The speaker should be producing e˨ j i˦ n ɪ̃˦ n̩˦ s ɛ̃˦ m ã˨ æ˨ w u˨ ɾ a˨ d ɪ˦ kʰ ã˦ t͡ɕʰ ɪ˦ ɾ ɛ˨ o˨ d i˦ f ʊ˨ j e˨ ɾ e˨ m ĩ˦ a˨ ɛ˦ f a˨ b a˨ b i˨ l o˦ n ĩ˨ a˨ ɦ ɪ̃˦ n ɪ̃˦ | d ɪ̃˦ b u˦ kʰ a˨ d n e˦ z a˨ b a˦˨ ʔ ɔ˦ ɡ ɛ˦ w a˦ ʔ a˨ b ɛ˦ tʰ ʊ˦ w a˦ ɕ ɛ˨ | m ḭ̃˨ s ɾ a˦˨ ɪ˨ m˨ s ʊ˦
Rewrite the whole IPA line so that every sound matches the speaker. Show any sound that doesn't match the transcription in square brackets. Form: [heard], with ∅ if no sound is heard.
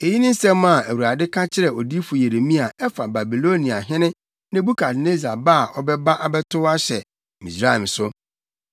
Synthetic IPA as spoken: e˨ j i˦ n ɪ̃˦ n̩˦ s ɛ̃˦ m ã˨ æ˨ w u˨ ɾ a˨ d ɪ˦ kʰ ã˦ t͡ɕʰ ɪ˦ ɾ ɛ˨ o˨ d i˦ f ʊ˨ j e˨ ɾ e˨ m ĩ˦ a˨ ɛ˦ f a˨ b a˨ b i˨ l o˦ n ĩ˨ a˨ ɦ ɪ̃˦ n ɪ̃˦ | [n] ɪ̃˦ b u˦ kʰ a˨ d n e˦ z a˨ b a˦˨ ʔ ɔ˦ [b] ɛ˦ [b] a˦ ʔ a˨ b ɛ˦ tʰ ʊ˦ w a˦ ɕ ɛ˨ | m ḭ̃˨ s ɾ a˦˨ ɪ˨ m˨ s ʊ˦

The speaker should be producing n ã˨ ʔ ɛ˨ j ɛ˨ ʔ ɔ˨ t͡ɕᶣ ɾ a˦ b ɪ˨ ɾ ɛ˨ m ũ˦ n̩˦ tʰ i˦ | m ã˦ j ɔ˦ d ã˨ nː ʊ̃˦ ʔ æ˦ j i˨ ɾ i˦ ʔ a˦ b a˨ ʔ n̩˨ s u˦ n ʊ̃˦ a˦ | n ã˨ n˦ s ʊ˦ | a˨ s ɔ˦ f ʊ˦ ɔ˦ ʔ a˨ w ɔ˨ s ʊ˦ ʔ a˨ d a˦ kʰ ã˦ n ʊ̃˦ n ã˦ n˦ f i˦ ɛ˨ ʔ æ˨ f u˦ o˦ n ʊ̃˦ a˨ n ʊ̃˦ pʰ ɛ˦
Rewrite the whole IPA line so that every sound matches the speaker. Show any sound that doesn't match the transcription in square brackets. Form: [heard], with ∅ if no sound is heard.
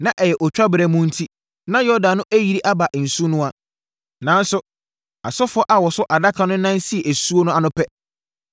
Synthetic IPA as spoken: n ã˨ ʔ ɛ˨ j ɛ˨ ʔ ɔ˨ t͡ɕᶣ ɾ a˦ b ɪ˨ ɾ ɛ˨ m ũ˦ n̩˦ tʰ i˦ | [n] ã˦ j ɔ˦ d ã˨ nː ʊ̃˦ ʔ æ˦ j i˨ ɾ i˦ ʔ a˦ b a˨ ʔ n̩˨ s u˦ n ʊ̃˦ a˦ | n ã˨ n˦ s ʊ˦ | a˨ s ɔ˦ f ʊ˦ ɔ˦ ʔ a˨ w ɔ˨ s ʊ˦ ʔ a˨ d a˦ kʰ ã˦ n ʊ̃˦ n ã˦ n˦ [s] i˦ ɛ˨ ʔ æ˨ [s] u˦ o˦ n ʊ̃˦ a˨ n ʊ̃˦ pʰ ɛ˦

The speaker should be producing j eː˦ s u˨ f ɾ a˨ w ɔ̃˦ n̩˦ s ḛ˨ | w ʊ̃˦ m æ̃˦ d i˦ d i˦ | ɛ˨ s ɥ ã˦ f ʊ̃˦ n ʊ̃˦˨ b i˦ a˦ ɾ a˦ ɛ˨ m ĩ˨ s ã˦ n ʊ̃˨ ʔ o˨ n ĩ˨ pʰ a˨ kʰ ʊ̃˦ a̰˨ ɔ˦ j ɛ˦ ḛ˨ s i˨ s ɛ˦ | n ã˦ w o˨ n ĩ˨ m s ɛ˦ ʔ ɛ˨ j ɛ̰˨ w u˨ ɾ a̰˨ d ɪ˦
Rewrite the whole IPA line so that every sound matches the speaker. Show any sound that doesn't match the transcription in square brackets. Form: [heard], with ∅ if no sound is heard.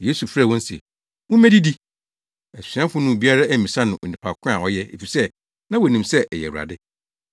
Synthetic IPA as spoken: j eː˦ s u˨ f ɾ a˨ w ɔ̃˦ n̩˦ s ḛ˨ | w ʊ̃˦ m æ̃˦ d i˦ d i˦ | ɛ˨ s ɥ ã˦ f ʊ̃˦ n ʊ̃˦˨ b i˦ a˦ ɾ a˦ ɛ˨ m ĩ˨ s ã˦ n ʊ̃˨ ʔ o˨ n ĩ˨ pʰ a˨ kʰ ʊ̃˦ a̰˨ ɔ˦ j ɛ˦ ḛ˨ [f] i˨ s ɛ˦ | n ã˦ w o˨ n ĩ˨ m s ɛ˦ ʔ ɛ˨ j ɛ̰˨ w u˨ ɾ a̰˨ d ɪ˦

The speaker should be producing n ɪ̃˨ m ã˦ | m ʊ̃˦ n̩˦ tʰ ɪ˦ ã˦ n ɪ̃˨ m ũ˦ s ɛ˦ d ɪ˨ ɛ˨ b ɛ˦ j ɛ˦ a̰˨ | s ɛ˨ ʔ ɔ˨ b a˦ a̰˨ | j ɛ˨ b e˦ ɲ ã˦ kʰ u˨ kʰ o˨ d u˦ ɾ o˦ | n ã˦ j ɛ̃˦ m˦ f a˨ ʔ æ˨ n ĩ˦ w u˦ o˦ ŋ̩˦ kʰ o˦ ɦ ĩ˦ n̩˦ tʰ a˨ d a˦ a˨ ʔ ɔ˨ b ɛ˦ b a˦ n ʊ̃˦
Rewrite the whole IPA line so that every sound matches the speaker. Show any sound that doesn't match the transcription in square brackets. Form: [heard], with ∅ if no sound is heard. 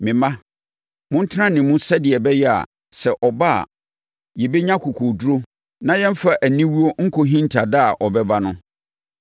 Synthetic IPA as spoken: [m] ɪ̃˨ m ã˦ | m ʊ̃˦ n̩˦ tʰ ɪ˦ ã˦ n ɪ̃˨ m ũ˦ s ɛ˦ d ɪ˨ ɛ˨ b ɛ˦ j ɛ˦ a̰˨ | s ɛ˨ ʔ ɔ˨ b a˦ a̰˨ | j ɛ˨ b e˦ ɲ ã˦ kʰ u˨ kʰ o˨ d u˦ ɾ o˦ | n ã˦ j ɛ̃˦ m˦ f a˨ ʔ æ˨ n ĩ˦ w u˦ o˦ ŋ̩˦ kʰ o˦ ɦ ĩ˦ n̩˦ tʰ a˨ d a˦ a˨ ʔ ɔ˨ b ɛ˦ b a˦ n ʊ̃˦

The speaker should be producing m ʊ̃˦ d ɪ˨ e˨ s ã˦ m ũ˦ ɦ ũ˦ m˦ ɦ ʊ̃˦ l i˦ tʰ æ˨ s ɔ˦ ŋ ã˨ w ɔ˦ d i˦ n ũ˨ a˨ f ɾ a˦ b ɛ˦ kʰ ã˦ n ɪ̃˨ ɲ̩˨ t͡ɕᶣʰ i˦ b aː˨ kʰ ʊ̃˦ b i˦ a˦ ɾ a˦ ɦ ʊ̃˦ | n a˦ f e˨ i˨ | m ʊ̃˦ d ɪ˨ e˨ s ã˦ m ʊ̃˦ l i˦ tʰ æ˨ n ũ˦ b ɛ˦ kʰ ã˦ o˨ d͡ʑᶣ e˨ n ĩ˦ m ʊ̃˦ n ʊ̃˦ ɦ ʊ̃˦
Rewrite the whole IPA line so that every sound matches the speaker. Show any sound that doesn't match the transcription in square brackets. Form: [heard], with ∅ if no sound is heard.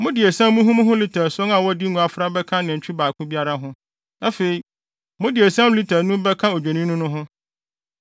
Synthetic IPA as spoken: m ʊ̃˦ d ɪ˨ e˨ s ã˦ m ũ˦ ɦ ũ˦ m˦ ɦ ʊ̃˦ l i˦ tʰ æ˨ s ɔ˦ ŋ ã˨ w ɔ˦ d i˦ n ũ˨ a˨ f ɾ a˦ b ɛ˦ kʰ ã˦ n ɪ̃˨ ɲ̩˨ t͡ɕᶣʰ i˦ b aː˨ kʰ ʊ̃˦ b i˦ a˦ ɾ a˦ ɦ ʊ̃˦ | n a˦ f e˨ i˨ | m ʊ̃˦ d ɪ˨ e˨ s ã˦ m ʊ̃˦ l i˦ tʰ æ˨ n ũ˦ b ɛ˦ kʰ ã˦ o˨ d͡ʑᶣ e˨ n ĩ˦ [n] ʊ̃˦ n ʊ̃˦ ɦ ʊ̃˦

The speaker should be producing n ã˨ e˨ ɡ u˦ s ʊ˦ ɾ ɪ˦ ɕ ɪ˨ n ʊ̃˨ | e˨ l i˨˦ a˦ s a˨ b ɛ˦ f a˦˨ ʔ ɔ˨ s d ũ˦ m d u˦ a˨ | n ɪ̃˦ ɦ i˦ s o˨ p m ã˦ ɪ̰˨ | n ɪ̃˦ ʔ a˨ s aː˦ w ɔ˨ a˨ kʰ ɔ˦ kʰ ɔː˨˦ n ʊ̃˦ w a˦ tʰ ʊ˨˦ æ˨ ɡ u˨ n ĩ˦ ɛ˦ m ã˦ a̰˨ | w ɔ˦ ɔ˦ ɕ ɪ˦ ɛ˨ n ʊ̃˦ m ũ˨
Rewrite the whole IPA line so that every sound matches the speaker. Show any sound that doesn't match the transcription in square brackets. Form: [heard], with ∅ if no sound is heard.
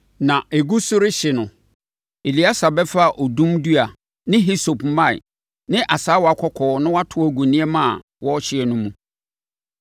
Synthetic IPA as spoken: n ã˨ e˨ ɡ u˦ s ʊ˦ ɾ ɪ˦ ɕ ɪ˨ n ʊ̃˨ | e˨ l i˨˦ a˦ s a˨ b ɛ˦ f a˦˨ ʔ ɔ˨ [∅] d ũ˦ m d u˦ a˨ | n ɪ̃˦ ɦ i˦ s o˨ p m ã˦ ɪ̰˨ | n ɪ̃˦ ʔ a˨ s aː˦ w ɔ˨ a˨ kʰ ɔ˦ kʰ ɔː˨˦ n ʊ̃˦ w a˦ tʰ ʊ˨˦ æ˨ ɡ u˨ n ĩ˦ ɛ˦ m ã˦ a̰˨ | w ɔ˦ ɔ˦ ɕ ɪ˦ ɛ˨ n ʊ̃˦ m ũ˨

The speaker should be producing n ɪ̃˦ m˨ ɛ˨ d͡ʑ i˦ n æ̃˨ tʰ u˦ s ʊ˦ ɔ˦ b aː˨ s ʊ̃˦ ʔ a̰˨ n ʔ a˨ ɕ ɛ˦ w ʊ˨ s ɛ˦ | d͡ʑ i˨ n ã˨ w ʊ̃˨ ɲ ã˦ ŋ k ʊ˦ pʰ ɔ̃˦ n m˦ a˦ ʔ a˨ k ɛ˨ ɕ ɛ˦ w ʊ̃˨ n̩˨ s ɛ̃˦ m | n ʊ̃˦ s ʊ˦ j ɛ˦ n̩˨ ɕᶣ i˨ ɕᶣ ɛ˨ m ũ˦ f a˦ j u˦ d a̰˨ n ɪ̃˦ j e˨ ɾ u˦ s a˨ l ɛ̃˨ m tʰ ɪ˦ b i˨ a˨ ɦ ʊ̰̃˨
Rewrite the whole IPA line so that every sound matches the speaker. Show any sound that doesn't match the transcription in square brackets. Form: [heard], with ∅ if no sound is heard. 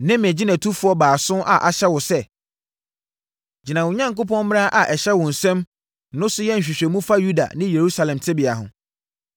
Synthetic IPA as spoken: n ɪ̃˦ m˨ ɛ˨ d͡ʑ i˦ n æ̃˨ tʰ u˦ [f] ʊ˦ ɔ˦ b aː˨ s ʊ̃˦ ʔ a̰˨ [∅] ʔ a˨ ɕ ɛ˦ w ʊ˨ s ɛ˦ | d͡ʑ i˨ n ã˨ w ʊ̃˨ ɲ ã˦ ŋ k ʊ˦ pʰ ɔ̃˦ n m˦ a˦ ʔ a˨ [ʔ] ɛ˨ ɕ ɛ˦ w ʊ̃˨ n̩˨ s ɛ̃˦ m | n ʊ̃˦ s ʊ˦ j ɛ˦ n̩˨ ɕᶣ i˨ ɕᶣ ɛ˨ m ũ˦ f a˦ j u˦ d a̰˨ n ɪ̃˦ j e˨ ɾ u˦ s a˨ l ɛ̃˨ m tʰ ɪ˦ b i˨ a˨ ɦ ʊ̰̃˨

